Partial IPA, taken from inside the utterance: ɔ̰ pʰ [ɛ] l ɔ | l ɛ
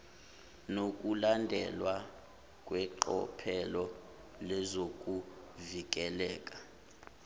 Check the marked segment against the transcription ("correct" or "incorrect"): correct